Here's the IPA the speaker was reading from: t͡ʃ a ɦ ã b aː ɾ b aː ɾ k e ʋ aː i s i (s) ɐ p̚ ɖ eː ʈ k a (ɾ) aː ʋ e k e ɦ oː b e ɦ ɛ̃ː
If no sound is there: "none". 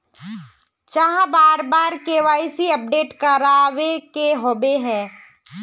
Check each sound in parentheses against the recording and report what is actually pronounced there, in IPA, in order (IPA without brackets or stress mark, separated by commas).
none, ɾ